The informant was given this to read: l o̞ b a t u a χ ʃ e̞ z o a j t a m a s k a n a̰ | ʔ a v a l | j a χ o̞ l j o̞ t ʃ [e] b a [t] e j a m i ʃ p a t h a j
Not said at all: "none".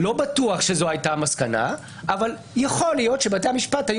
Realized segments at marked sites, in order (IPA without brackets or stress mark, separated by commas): e, t